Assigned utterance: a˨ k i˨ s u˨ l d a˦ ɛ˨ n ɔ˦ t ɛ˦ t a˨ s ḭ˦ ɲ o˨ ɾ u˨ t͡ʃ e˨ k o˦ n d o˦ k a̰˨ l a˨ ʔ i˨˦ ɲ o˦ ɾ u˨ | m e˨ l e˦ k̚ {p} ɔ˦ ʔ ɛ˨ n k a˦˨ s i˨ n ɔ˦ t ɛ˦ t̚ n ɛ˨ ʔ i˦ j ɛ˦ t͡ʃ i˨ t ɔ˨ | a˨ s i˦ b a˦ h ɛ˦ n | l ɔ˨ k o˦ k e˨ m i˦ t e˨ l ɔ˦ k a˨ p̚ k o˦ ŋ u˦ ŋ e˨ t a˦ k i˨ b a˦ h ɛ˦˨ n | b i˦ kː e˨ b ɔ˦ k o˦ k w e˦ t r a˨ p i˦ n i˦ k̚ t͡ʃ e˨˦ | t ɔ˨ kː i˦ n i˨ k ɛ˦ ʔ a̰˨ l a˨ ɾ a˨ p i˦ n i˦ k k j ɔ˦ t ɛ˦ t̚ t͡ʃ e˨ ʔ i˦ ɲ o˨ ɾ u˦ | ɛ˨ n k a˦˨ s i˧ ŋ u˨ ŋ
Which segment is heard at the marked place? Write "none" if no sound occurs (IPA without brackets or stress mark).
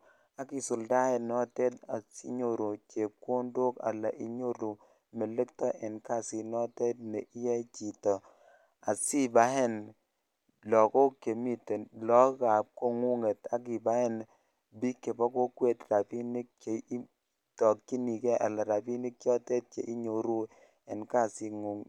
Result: t